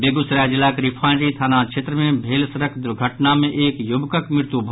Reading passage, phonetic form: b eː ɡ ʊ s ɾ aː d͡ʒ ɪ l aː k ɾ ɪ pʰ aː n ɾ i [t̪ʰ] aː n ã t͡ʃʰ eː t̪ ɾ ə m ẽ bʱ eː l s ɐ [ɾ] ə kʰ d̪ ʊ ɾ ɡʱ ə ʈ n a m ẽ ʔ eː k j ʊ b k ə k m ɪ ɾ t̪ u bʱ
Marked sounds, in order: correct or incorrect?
correct, correct

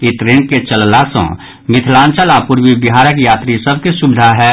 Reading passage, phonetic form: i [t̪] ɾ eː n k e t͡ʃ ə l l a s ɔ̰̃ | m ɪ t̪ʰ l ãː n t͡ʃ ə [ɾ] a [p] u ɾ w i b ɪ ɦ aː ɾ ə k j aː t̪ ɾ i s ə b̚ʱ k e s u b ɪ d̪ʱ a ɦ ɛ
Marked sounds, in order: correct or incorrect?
correct, incorrect, correct

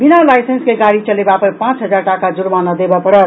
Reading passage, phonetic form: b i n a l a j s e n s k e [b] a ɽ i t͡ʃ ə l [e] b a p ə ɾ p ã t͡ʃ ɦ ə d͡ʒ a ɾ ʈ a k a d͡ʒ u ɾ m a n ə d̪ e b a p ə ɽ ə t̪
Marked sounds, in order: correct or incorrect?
incorrect, correct

